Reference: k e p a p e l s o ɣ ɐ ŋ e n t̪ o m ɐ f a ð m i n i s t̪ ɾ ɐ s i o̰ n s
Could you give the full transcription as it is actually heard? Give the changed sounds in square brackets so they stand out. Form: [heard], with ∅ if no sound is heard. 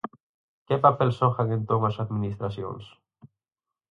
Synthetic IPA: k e p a p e l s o [x] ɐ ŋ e n t̪ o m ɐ [s] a ð m i n i s t̪ ɾ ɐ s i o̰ n s